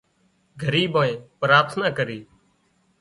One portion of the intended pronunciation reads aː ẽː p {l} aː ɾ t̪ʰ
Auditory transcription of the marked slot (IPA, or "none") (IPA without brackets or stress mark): ɾ